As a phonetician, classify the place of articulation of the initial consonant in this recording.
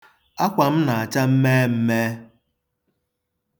velar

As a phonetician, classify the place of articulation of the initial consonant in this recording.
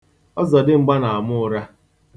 alveolar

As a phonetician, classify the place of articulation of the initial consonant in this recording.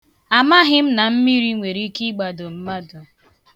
labial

